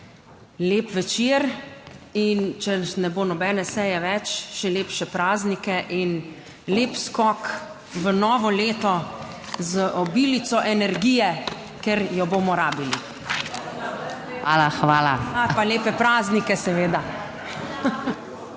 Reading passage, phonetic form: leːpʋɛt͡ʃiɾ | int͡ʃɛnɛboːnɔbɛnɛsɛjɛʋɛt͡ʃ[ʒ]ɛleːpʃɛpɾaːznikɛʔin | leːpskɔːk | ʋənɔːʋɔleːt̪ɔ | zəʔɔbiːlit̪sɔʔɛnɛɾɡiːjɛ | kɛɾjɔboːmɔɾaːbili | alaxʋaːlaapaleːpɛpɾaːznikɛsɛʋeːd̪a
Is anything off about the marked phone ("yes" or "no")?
yes